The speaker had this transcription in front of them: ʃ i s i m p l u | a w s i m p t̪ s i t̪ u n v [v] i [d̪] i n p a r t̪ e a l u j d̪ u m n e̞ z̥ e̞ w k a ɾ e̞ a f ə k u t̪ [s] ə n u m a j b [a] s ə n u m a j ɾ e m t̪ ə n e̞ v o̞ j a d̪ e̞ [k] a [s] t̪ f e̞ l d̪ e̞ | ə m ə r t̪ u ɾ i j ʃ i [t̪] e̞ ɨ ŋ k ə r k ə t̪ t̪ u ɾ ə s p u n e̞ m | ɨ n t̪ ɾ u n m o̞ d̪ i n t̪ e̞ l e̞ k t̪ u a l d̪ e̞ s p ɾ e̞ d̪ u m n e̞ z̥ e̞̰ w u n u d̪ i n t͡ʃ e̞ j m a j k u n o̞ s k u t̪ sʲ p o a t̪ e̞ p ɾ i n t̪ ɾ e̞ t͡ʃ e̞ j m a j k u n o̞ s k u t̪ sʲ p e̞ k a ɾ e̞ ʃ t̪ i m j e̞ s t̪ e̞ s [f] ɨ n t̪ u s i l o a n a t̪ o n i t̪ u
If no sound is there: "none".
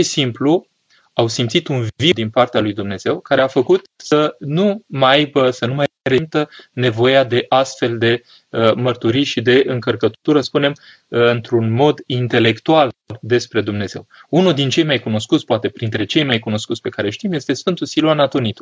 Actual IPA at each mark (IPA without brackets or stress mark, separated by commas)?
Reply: v, d̪, s, ə, ʔ, s, d̪, f